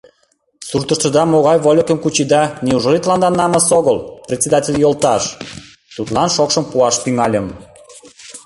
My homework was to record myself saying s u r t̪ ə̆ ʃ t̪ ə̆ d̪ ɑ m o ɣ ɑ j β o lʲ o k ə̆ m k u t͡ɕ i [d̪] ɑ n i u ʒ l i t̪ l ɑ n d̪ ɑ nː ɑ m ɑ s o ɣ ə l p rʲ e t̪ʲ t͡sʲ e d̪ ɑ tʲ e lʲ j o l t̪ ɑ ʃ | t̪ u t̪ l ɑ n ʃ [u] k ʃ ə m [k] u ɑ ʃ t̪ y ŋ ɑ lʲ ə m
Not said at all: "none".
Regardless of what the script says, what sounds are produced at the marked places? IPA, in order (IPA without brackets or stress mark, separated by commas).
d̪, o, p